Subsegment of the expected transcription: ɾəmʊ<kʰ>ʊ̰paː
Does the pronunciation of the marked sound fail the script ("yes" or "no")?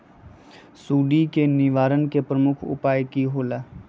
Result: no